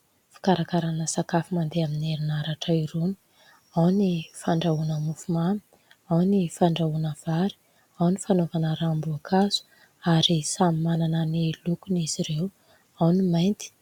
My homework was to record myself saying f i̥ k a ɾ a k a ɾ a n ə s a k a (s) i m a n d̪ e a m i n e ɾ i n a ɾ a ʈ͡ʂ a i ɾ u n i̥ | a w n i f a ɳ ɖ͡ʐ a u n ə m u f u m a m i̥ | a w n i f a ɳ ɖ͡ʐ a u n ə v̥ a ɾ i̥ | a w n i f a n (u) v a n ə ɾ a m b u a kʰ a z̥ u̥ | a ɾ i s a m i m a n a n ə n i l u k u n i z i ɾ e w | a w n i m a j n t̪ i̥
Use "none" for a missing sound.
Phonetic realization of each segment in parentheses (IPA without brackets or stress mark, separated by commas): f, o